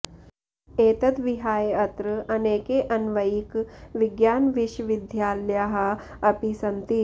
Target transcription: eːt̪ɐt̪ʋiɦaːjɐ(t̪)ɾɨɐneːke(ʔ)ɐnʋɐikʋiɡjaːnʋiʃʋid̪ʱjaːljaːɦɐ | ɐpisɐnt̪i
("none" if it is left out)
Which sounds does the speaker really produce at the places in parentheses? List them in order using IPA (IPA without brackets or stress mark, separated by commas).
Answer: t̪, ʔ